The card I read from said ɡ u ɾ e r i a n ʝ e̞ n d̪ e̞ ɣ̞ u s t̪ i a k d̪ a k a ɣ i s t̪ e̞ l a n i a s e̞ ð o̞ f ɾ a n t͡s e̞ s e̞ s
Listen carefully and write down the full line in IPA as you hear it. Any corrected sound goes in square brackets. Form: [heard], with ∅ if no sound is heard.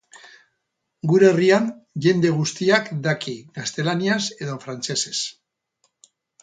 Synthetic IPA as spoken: ɡ u ɾ e r i a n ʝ e̞ n d̪ e̞ ɣ̞ u s t̪ i a k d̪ a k [i] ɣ [a] s t̪ e̞ l a n i a s e̞ ð o̞ f ɾ a n t͡s e̞ s e̞ s